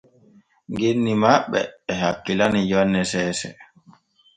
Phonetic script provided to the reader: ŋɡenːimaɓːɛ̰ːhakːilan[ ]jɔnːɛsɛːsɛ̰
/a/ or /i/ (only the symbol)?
i